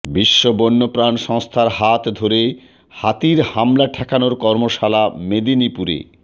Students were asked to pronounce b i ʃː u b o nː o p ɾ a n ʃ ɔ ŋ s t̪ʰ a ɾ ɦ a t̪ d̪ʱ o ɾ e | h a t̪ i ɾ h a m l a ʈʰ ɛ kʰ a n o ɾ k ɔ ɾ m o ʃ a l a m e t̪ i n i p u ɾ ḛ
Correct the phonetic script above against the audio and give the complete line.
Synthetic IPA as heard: b i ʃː o b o nː o p ɾ a n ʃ ɔ ŋ s t̪ʰ a ɾ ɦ a t̪ d̪ʱ o ɾ e | h a t̪ i ɾ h a m l a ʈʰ ɛ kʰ a n o ɾ k ɔ ɾ m o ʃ a l a m e d̪ i n i p u ɾ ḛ